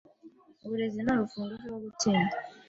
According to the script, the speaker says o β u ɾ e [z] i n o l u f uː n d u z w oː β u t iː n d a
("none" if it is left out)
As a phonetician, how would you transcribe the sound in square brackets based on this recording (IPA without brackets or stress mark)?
z